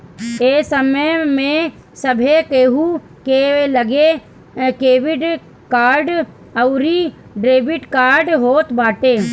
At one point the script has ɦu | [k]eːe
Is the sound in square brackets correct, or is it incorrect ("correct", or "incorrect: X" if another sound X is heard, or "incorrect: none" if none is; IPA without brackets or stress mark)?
correct